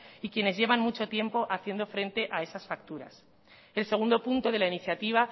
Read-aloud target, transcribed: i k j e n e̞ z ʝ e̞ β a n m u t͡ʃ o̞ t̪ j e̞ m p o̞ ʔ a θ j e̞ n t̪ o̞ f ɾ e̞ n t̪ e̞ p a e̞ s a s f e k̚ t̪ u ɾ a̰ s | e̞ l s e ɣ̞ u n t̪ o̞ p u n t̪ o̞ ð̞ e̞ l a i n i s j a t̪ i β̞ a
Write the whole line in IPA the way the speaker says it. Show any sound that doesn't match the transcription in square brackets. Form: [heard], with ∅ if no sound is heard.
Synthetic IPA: i k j e n e̞ z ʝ e̞ β a n m u t͡ʃ o̞ t̪ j e̞ m p o̞ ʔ a θ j e̞ n [d̪] o̞ f ɾ e̞ n t̪ e̞ [ʔ] a e̞ s a s f [a] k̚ t̪ u ɾ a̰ s | e̞ l s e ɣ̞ u n [d̪] o̞ p u n t̪ o̞ ð̞ e̞ l a i n i [θ] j a t̪ i β̞ a